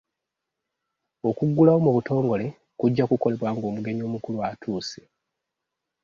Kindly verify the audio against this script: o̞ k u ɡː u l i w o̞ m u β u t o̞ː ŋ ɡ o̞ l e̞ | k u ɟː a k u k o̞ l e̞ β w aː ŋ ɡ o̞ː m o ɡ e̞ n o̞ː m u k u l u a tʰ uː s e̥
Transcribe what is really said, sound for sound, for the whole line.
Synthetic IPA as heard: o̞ k u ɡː u l a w o̞ m u β u t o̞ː ŋ ɡ o̞ l e̞ | k u ɟː a k u k o̞ l e̞ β w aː ŋ ɡ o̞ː m u ɡ e̞ ɲ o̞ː m u k u l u a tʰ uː s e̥